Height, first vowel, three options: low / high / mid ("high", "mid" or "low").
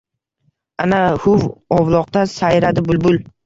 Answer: low